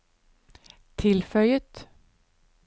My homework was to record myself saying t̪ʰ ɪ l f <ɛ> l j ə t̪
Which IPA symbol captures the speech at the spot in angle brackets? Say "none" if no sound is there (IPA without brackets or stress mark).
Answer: œ